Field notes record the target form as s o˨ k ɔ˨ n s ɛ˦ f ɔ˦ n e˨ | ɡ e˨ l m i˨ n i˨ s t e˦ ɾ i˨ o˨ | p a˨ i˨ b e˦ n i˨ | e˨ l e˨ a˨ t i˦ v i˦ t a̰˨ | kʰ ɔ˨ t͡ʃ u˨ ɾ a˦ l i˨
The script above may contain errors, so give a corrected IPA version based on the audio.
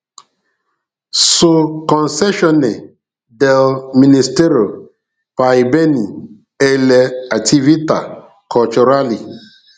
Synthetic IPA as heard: s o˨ k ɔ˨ n s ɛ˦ ʃ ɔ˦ n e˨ | d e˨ l m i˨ n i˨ s t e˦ ɾ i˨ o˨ | p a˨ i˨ b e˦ n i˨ | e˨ l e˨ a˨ t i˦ v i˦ t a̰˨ | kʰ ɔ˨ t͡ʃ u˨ ɾ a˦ l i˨

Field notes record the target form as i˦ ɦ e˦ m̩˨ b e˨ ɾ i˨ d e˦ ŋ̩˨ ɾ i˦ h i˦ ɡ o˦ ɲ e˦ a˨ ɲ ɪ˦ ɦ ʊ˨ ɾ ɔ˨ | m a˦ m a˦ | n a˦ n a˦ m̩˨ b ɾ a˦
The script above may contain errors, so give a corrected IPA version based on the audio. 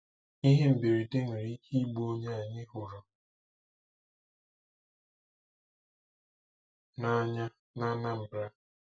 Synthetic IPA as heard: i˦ ɦ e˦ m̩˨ b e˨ ɾ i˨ d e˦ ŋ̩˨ ɾ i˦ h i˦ ɡ͡b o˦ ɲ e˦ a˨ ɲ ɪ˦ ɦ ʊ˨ ɾ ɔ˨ | n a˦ ɲ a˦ | n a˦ n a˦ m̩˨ b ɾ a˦

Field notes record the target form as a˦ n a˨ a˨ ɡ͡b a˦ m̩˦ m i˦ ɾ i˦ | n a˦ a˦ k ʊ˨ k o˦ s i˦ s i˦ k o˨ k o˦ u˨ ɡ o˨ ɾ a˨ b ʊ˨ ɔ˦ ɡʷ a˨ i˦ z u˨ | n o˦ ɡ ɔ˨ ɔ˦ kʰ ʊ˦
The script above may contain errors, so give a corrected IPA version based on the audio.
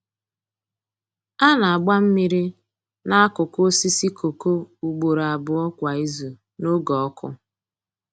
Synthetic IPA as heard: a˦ n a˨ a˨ ɡ͡b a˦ m̩˦ m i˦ ɾ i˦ | n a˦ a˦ k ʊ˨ k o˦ s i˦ s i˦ k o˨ k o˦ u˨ ɡ͡b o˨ ɾ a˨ b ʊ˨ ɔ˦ kʷ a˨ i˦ z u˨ | n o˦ ɡ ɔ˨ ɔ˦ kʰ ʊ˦

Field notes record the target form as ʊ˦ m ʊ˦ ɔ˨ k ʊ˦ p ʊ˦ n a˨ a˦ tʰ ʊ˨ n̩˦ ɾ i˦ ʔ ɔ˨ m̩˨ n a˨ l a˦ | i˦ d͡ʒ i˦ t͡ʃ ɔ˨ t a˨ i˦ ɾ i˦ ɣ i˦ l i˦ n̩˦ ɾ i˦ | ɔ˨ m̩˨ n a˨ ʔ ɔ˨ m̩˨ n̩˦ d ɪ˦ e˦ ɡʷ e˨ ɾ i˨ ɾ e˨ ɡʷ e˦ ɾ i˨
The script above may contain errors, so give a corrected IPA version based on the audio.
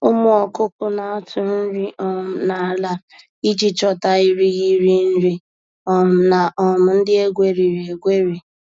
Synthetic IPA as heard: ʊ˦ m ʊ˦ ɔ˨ k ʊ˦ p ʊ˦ n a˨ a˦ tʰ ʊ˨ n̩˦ ɾ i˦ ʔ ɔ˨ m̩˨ n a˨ l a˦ | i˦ d͡ʒ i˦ t͡ʃ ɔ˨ t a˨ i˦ ɾ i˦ ɣ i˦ ɾ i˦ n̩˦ ɾ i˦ | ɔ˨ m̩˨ n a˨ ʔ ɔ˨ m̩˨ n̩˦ d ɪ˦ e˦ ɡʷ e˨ ɾ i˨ ɾ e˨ ɡʷ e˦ ɾ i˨

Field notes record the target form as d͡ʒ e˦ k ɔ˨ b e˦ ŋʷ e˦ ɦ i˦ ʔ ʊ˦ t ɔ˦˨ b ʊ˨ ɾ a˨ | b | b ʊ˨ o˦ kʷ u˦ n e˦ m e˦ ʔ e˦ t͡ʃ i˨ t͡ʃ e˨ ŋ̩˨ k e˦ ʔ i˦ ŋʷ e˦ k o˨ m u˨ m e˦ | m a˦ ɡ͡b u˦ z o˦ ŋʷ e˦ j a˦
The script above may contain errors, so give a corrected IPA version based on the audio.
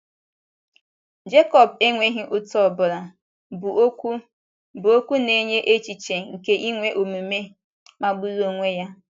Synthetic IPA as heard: d͡ʒ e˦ k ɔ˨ b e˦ ŋʷ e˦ ɦ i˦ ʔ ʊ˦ t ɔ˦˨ b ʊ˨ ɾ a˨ | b | b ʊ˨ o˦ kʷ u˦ n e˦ ɲ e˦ ʔ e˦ t͡ʃ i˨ t͡ʃ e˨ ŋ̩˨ k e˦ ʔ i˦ ŋʷ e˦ ʔ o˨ m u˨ m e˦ | m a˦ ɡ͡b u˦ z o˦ ŋʷ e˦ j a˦

